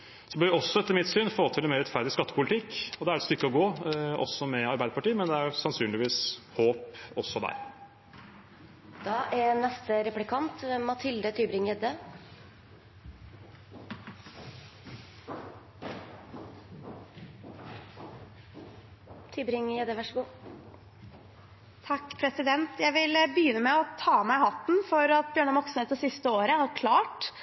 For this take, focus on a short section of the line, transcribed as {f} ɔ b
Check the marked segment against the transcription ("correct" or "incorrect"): incorrect